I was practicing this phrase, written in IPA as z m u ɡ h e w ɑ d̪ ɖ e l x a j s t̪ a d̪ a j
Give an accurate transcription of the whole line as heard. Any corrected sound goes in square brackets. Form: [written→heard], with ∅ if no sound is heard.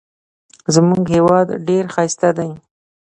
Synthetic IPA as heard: z m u ɡ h e w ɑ d̪ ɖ e [l→ɾ] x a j s t̪ a d̪ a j